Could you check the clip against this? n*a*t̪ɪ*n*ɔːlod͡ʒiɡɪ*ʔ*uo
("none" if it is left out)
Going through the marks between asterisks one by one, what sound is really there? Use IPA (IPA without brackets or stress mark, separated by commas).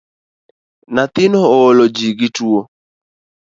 a, n, t